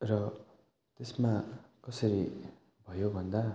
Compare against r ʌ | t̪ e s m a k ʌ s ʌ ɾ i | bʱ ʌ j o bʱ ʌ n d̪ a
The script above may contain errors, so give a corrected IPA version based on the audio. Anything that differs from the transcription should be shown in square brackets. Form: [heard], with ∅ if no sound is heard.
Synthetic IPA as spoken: r ʌ | t̪ e s m a k ʌ s ʌ ɾ i | bʱ ʌ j o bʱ ʌ n d̪ a